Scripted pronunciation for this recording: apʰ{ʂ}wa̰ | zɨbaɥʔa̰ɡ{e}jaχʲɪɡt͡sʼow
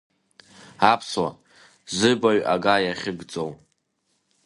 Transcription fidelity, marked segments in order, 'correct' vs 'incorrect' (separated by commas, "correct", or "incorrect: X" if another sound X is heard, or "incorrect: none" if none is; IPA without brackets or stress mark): incorrect: s, incorrect: a